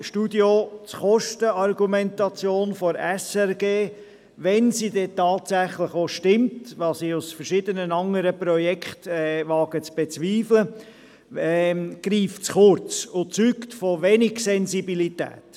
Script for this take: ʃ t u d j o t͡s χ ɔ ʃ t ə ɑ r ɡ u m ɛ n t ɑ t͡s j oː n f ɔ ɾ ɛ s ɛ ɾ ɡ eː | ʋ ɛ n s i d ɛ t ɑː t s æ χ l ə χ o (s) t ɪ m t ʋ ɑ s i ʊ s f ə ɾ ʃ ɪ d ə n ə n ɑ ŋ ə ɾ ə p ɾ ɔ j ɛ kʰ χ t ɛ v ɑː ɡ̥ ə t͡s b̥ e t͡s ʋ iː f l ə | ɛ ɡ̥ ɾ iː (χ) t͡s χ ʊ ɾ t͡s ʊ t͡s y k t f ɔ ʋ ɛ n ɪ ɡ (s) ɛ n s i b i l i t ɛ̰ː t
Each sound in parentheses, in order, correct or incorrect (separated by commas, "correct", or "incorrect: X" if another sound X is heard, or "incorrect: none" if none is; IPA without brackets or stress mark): incorrect: ʃ, incorrect: f, correct